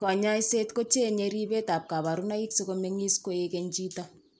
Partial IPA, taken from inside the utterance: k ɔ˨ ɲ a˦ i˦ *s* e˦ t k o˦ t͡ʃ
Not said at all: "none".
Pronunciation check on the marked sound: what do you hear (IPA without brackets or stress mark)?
s